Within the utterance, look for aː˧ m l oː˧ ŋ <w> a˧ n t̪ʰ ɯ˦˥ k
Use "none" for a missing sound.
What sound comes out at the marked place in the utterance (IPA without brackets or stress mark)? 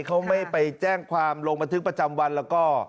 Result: b